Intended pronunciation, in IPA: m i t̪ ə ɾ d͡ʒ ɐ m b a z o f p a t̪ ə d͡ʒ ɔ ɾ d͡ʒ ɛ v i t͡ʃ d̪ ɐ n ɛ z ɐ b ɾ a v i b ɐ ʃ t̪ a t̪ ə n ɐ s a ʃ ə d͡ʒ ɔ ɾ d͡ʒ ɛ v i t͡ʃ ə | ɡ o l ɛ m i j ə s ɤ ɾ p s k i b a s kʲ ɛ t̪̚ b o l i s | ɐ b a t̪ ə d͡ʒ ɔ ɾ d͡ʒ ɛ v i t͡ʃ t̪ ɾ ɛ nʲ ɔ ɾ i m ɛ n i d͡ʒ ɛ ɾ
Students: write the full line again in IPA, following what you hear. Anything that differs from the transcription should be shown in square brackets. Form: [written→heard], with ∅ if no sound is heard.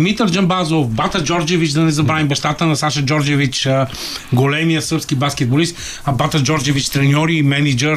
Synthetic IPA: m i t̪ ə ɾ d͡ʒ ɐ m b a z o f [p→b] a t̪ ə d͡ʒ ɔ ɾ d͡ʒ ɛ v i t͡ʃ d̪ ɐ n ɛ z ɐ b ɾ a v i b ɐ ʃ t̪ a t̪ ə n ɐ s a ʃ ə d͡ʒ ɔ ɾ d͡ʒ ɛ v i t͡ʃ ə | ɡ o l ɛ m i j ə s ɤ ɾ p s k i b a s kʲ ɛ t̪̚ b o l i s | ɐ b a t̪ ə d͡ʒ ɔ ɾ d͡ʒ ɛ v i t͡ʃ t̪ ɾ ɛ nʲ ɔ ɾ i m ɛ n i d͡ʒ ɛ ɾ